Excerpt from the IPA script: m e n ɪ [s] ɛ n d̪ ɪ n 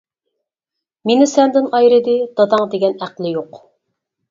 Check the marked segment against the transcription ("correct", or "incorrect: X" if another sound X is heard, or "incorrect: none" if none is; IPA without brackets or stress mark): correct